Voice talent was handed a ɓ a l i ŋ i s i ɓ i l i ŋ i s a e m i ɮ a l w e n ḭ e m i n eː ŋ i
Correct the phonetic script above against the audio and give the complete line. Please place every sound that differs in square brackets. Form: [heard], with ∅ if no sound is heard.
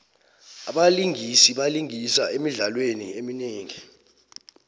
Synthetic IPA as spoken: a ɓ a l i ŋ i s i ɓ [a] l i ŋ i s a e m i ɮ a l w e n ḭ e m i n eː ŋ i